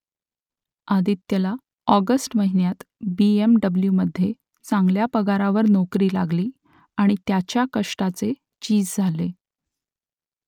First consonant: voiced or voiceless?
voiced